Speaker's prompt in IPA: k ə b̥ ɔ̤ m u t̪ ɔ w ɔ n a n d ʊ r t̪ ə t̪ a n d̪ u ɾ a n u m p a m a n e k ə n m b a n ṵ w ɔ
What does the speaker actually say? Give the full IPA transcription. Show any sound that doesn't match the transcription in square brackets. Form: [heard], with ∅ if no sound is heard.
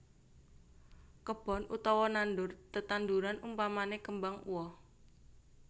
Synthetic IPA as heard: k ə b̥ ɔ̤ [n] u t̪ ɔ w ɔ n a n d ʊ r t̪ ə t̪ a n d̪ u ɾ a n u m p a m a n e k ə [∅] m b a [ŋ] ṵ w ɔ